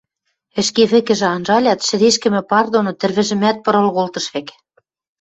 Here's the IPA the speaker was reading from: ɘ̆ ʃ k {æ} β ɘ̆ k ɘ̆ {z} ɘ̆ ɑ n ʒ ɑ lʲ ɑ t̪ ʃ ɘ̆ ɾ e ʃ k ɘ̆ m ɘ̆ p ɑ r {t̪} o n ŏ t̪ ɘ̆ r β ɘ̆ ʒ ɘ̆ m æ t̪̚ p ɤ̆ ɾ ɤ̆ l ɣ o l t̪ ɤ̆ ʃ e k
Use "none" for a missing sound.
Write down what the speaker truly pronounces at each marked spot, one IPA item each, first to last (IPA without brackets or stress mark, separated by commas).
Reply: e, ʒ, d̪